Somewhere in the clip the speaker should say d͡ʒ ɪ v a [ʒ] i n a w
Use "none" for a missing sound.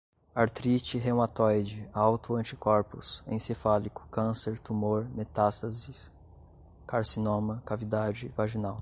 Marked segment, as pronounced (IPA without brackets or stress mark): ʒ